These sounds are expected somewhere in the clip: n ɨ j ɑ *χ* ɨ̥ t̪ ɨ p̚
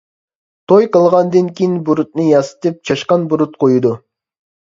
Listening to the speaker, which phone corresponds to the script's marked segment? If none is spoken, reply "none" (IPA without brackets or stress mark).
s